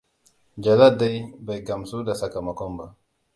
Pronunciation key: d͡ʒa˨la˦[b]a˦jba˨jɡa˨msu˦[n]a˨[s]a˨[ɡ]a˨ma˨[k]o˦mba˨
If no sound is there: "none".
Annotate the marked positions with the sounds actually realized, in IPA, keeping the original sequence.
d, d, s, k, k

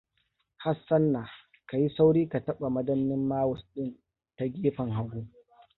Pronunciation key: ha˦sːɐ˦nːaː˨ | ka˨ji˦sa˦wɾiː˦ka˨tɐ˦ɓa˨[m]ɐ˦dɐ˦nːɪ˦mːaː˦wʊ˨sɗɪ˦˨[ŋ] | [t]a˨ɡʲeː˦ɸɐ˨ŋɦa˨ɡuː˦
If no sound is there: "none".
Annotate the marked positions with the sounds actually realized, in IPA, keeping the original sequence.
m, n, t

